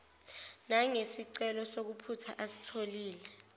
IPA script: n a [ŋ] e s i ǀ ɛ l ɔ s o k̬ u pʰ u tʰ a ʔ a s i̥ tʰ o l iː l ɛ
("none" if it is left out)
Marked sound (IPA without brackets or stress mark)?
ŋ